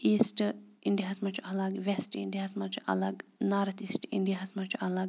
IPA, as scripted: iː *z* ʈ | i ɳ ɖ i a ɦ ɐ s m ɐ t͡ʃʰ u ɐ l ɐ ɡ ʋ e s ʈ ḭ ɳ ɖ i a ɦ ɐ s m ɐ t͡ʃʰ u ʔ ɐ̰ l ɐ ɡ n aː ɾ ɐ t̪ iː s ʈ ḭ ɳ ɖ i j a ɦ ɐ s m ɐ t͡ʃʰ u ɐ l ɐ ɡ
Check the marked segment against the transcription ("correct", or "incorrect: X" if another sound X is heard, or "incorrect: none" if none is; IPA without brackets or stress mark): incorrect: s